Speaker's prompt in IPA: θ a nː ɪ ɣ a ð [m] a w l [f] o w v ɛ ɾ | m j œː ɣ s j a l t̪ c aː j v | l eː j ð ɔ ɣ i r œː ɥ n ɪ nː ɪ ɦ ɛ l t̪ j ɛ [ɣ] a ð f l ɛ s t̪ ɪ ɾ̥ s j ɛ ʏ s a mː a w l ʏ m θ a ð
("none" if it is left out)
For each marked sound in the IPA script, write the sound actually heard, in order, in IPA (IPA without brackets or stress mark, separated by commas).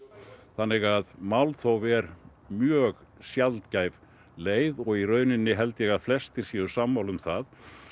m, θ, ɣ